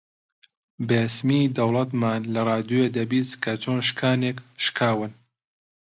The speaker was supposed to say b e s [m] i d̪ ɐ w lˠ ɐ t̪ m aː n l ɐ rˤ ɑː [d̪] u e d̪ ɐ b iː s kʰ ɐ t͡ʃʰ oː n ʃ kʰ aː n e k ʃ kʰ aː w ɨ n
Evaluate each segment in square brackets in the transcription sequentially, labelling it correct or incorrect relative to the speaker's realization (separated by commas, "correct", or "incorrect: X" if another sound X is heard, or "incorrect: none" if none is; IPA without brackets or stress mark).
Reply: correct, correct